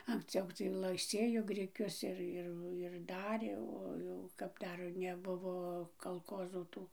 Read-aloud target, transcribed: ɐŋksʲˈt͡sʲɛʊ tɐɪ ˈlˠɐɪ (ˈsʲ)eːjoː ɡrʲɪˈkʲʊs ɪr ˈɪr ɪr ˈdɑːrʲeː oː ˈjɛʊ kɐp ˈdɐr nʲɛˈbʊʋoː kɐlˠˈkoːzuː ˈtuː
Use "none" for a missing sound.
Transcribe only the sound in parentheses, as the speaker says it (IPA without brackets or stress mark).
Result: sʲ